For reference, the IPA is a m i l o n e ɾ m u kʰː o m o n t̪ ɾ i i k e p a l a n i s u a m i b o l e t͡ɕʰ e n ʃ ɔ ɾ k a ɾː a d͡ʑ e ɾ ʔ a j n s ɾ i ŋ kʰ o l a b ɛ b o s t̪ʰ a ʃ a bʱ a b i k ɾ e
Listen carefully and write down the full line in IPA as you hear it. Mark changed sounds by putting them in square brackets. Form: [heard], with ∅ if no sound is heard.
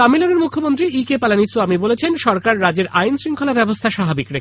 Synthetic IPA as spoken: a m i l o n e ɾ m u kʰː o m o n t̪ ɾ i i k e p a l a n i s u a m i b o l e t͡ɕʰ e n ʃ ɔ ɾ k a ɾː a d͡ʑ e ɾ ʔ a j n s ɾ i ŋ kʰ o l a b ɛ b o s t̪ʰ a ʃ a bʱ a b i k ɾ e